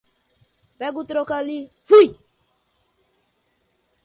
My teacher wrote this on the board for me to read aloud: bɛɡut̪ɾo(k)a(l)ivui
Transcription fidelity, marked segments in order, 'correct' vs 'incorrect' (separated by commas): correct, correct